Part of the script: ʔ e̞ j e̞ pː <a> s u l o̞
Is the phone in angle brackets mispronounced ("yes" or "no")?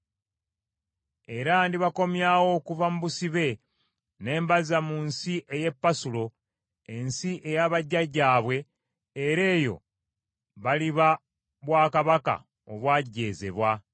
no